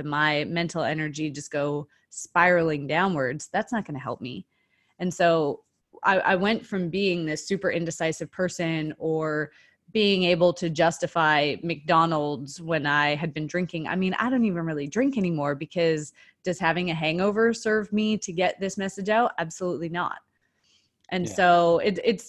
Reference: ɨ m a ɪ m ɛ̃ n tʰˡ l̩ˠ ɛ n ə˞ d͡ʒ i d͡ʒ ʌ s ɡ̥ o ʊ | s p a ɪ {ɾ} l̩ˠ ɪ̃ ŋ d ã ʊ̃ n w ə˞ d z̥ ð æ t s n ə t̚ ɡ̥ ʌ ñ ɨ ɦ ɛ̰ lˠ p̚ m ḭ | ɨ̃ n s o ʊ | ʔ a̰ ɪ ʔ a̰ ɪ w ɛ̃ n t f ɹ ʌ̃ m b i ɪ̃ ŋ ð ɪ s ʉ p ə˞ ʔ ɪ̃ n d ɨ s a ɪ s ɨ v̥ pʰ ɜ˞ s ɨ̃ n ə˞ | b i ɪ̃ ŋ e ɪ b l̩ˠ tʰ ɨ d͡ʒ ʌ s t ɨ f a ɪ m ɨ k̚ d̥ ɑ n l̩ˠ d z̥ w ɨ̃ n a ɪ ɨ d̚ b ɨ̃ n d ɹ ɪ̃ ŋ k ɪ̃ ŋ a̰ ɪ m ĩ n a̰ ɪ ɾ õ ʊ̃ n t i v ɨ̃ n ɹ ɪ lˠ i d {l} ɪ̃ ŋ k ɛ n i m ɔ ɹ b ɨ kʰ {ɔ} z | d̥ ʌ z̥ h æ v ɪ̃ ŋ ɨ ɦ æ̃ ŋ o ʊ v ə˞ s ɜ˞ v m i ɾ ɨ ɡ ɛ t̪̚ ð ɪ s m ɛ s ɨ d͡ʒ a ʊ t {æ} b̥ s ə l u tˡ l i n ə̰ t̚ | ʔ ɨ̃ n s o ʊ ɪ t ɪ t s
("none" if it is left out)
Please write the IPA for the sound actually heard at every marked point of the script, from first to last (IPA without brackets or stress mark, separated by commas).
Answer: ɹ, ɹ, ʌ, æ